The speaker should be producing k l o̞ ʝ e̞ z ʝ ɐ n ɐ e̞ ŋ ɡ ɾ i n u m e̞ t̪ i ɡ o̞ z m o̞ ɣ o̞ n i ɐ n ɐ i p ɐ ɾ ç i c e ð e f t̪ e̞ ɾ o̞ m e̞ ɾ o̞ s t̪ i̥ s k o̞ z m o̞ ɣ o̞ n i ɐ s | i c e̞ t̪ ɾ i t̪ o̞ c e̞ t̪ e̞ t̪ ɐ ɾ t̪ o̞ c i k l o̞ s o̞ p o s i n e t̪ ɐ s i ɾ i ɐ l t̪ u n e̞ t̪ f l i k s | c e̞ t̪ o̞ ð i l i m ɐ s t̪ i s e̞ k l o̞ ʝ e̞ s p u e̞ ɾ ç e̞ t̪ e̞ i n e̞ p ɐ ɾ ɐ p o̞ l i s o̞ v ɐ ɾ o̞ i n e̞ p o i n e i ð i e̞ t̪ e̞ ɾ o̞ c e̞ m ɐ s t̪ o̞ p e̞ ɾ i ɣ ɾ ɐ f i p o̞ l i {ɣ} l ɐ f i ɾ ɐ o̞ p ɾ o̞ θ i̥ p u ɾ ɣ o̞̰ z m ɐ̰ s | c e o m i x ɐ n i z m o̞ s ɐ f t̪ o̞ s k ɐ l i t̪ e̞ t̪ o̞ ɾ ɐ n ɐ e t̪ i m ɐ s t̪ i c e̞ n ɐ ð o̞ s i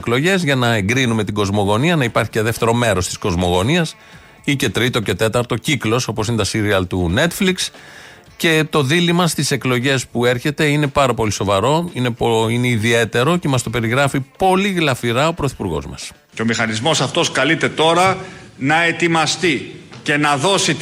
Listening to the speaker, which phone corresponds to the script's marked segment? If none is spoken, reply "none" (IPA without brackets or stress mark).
ɣ